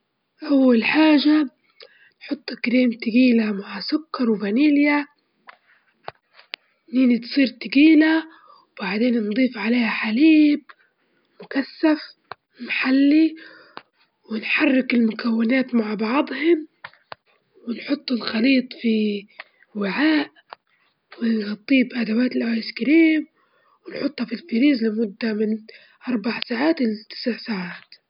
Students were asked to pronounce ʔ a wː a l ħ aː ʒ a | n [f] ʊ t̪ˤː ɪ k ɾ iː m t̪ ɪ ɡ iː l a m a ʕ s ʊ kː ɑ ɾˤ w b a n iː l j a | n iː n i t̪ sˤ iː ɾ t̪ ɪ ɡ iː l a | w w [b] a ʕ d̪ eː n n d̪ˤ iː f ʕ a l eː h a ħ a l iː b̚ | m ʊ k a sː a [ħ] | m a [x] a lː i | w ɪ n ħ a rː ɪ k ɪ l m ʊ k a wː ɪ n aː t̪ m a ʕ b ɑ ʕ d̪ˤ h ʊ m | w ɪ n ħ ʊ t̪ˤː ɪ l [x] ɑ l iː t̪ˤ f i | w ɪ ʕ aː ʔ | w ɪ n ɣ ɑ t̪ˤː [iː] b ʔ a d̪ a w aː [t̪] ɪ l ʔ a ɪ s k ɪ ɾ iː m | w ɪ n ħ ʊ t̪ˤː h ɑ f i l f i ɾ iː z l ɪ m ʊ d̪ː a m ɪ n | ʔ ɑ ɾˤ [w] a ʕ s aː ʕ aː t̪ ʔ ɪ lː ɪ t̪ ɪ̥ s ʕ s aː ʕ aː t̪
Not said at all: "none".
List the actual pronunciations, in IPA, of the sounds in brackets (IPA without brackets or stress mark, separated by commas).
ħ, b, f, ħ, x, iː, t̪, b